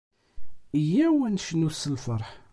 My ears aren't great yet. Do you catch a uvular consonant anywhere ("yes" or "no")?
no